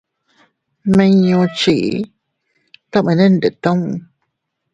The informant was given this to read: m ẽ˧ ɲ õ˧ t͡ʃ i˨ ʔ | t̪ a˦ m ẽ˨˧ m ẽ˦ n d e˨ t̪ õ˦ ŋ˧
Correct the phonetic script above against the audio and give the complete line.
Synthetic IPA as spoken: m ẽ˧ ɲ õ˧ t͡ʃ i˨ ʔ | t̪ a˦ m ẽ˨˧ n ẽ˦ n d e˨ t̪ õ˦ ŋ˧